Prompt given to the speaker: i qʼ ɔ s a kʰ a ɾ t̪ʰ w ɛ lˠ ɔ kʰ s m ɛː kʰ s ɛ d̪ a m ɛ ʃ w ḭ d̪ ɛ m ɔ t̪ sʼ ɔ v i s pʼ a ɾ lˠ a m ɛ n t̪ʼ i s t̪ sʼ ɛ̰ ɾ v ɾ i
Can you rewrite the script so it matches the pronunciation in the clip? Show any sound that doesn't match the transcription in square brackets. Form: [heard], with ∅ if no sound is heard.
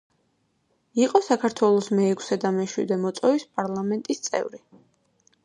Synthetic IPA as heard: i qʼ ɔ s a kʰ a ɾ t̪ʰ w ɛ lˠ ɔ [∅] s m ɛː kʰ s ɛ d̪ a m ɛ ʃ w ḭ d̪ ɛ m ɔ t̪ sʼ ɔ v i s pʼ a ɾ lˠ a m ɛ n t̪ʼ i s t̪ sʼ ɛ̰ [∅] v ɾ i